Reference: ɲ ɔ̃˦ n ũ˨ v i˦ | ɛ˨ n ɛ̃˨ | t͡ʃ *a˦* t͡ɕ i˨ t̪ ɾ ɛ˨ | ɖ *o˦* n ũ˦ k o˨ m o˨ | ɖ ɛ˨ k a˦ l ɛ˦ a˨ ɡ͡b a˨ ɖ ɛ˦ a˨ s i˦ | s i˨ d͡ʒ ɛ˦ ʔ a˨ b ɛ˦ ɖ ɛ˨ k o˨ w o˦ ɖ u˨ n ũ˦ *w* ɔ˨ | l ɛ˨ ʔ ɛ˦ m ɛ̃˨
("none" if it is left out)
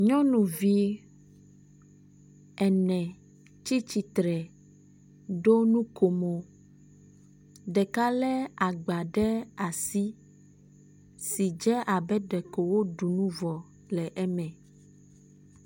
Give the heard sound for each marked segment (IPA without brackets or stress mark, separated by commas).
i˦, o˦, v